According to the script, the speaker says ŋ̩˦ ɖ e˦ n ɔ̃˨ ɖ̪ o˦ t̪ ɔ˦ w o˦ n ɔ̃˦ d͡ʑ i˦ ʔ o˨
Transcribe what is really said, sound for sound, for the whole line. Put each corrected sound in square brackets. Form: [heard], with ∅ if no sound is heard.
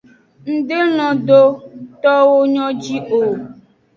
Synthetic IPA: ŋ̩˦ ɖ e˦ n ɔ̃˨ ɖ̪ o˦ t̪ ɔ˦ w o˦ [ɲ] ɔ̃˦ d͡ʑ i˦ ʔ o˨